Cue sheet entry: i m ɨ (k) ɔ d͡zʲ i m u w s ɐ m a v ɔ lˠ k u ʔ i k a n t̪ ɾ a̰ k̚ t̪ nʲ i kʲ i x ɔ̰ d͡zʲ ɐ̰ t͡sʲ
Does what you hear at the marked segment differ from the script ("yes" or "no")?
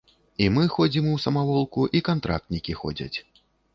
yes